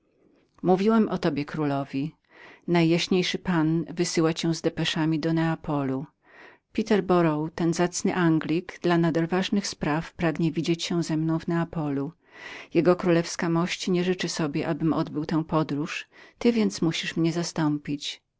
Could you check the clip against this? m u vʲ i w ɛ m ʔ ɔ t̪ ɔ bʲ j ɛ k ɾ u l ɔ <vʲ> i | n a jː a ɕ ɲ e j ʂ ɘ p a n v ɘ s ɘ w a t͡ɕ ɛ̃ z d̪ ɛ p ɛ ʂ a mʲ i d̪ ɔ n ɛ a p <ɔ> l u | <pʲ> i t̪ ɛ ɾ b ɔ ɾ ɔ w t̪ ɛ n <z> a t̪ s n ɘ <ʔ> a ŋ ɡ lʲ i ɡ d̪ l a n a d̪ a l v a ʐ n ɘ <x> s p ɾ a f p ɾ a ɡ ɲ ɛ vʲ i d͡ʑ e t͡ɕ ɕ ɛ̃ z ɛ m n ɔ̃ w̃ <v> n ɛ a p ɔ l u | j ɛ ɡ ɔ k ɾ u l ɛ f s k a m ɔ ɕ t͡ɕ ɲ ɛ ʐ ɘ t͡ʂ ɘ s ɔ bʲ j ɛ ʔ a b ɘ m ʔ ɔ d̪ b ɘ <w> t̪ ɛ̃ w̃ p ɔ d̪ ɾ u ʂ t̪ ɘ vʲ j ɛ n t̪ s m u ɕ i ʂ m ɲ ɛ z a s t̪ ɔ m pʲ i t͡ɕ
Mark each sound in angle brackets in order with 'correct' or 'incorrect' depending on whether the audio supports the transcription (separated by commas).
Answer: correct, correct, correct, correct, correct, correct, correct, correct